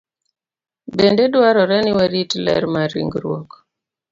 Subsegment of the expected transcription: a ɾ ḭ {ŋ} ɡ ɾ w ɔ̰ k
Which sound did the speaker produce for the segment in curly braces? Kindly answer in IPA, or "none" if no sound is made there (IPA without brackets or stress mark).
ŋ